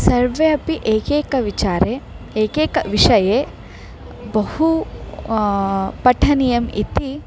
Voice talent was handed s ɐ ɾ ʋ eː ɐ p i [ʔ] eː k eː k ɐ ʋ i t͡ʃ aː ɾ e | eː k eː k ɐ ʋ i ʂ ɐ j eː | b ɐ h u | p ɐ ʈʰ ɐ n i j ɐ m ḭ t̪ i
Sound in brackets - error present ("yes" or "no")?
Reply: no